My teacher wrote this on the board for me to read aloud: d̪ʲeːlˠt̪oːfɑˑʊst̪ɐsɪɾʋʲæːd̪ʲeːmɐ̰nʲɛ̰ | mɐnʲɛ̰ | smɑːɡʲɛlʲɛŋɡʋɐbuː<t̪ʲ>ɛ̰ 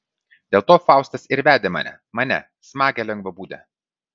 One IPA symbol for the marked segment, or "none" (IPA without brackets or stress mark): d̪ʲ